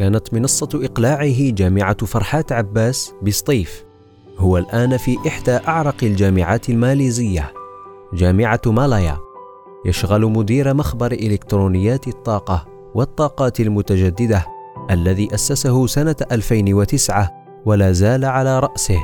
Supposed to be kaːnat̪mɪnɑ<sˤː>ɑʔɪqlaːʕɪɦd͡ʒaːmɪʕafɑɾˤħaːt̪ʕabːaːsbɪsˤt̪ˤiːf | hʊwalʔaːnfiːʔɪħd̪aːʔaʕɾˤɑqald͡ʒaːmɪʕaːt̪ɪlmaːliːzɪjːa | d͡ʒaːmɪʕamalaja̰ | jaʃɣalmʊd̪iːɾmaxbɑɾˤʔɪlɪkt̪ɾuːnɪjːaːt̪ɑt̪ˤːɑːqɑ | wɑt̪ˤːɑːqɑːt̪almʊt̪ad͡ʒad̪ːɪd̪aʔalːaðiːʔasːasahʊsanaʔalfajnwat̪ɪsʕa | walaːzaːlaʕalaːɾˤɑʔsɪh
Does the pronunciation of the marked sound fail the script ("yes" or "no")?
no